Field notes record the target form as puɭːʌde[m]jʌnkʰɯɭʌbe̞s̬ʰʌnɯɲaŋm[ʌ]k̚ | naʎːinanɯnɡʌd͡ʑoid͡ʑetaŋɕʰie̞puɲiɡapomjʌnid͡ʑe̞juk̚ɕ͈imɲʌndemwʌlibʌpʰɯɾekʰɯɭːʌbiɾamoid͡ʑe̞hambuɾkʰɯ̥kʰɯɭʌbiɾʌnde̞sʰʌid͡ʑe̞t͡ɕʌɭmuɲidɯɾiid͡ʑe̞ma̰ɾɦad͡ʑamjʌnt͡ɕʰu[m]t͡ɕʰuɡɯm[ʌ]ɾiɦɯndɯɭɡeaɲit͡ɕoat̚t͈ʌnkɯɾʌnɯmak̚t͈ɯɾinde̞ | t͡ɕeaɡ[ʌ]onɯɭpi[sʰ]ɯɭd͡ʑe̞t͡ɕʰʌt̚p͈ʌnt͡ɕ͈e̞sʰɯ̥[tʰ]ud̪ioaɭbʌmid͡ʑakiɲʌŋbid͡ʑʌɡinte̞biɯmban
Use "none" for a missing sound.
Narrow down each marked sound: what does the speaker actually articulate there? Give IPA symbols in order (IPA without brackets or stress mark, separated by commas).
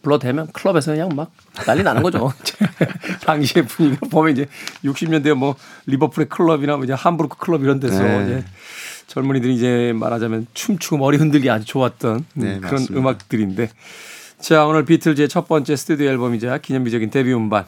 m, a, m, ʌ, a, tʰ, tʰ